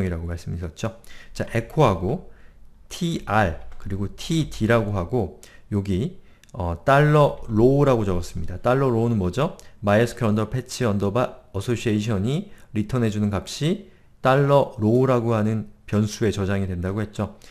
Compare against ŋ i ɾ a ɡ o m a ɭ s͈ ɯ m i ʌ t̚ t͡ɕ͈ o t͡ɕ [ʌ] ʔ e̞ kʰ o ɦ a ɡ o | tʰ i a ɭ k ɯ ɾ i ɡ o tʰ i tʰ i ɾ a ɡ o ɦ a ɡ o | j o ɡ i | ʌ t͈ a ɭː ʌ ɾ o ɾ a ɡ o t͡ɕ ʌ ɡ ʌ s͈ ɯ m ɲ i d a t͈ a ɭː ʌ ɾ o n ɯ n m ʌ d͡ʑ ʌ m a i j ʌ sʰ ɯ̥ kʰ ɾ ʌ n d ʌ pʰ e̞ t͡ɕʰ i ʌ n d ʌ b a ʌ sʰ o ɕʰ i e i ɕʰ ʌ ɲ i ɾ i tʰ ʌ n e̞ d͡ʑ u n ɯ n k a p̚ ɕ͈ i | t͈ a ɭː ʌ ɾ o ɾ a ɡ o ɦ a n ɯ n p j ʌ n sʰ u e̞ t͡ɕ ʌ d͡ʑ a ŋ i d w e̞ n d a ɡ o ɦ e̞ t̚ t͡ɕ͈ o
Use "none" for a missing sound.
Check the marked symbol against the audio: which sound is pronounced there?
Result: a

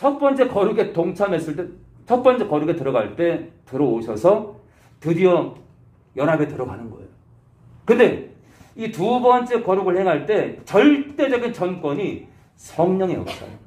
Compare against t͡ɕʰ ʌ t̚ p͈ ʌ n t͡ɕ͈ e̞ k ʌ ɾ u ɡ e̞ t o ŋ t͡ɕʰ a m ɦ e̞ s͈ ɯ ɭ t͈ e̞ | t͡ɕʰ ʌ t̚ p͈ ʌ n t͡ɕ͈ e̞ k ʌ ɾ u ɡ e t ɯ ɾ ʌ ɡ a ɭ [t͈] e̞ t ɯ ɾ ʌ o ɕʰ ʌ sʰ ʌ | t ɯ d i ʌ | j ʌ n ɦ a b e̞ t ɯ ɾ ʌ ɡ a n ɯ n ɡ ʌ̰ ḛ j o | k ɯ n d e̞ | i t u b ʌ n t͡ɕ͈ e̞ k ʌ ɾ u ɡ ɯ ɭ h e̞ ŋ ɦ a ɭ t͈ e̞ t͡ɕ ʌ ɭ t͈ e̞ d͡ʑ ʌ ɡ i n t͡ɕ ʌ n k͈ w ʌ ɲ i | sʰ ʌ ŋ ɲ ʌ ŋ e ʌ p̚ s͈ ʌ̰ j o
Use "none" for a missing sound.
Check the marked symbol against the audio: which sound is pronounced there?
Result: t͈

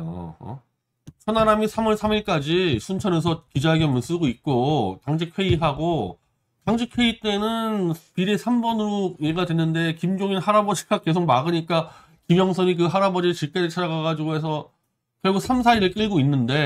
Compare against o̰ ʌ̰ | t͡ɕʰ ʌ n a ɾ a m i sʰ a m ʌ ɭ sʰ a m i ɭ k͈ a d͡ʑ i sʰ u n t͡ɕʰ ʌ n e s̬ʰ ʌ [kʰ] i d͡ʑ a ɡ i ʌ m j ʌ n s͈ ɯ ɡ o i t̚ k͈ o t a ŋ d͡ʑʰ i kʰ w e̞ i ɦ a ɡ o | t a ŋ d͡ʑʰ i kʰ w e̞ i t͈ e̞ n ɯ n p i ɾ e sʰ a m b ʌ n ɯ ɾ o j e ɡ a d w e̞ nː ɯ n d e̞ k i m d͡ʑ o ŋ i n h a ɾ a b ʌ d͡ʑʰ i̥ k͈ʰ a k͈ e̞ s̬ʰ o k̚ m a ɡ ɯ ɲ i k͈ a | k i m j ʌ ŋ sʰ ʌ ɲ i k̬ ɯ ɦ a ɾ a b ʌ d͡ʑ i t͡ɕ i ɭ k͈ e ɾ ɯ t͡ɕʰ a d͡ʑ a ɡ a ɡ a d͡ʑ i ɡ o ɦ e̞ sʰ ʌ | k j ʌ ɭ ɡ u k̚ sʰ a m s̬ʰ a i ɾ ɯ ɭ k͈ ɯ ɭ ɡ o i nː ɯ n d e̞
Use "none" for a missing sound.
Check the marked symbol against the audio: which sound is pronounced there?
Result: k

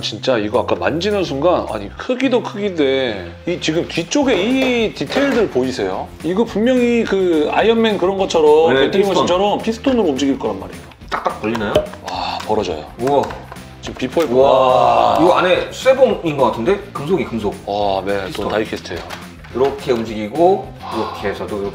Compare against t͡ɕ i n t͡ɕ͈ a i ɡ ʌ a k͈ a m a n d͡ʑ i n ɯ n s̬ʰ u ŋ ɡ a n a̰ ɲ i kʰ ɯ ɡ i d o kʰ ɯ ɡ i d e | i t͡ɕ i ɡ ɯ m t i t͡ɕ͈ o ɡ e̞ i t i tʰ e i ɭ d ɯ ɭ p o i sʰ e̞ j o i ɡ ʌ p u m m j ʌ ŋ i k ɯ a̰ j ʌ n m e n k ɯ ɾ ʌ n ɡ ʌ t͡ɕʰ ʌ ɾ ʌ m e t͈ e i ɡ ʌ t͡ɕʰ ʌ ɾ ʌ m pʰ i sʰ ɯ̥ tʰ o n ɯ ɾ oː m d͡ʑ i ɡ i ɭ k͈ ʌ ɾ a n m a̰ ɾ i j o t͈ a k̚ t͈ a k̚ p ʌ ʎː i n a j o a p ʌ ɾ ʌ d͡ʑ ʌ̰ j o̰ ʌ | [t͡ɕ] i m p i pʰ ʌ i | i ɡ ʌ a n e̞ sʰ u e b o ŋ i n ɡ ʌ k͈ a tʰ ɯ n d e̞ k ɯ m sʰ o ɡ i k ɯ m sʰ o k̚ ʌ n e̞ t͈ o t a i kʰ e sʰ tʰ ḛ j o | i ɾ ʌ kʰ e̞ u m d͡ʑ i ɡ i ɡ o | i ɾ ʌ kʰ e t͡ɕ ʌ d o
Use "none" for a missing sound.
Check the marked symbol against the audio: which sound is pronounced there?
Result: t͡ɕ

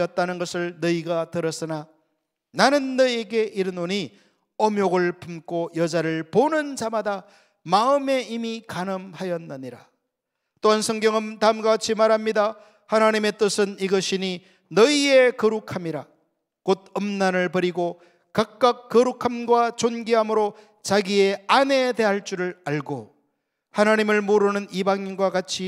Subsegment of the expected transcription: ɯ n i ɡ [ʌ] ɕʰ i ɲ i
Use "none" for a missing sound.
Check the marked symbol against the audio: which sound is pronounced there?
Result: ʌ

